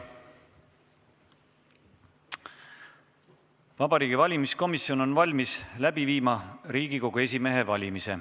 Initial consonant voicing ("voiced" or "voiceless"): voiced